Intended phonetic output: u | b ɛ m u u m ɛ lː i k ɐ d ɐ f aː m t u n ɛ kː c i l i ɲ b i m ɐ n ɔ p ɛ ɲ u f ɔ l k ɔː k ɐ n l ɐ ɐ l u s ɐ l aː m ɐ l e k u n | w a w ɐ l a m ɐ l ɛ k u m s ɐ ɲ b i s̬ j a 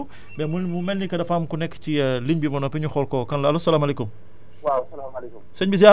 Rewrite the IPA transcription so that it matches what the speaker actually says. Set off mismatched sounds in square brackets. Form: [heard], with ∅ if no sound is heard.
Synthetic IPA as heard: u | b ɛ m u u m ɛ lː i k ɐ d ɐ f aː m [k] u n ɛ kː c i l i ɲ b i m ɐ n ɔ p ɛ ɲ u [x] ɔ l k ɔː k ɐ n l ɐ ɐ l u s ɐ l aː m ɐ l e k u [m] | w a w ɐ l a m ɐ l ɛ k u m s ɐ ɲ b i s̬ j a

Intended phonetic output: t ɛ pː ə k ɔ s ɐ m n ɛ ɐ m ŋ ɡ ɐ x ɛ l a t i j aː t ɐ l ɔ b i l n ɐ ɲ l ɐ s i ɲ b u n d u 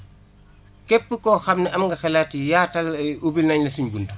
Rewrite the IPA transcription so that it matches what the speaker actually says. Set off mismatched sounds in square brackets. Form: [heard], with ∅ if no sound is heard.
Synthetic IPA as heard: [k] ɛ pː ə k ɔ [x] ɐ m n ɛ ɐ m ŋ ɡ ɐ x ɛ l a t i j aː t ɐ l [u] b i l n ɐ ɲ l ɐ s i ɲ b u n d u

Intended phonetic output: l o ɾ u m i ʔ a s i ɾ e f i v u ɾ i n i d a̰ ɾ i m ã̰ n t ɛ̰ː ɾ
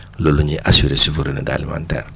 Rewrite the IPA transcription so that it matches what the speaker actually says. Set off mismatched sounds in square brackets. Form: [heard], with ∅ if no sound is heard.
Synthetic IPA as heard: l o [l] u [ɲ] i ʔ a s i ɾ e [s] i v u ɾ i n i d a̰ [l] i m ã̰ n t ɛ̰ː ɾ

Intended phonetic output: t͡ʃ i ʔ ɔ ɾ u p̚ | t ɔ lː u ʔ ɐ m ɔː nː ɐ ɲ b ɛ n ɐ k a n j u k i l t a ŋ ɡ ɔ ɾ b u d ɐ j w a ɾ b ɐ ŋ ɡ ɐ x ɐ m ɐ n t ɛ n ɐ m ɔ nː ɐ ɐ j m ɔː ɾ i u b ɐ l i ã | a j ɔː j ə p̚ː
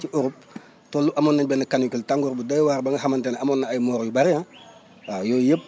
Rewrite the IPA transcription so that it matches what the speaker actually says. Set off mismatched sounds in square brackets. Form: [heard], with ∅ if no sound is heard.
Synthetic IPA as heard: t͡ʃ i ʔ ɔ ɾ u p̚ | t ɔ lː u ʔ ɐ m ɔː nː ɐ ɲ b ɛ n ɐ k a n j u k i l t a ŋ ɡ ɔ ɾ b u d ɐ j w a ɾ b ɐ ŋ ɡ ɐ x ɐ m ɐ n t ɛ n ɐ m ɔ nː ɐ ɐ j m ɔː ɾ [j] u b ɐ [ɾ] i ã | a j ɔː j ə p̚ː

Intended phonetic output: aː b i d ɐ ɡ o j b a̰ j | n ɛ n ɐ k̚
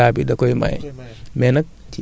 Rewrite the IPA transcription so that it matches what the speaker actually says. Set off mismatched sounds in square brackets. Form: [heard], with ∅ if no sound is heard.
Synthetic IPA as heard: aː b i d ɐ [k] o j [m] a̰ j | [m] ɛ n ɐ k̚

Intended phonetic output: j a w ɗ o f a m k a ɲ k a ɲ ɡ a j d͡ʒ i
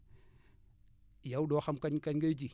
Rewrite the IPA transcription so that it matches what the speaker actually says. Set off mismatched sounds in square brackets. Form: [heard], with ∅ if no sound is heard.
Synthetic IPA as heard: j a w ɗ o [x] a m k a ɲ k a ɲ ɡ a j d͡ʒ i

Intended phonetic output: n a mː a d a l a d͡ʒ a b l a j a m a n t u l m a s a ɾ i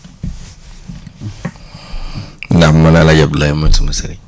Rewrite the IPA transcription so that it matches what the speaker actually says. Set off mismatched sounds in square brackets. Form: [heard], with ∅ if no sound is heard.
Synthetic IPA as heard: n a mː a [n] a l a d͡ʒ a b l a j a m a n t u [∅] m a s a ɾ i

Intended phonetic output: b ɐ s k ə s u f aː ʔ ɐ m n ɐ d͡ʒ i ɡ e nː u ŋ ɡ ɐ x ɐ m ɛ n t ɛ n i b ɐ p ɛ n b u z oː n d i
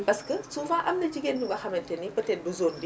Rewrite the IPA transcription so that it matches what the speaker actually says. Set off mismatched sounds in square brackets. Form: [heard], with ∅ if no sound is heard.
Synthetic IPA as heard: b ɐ s k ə s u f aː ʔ ɐ m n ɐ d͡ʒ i ɡ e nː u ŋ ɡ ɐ x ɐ m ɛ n t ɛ n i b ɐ [t] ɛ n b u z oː n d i

